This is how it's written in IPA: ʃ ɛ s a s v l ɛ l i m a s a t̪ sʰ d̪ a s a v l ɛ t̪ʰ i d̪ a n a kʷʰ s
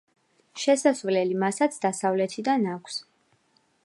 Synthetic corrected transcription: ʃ ɛ s a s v l ɛ l i m a s a t̪ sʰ d̪ a s a v l ɛ t̪ʰ i d̪ a n a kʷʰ s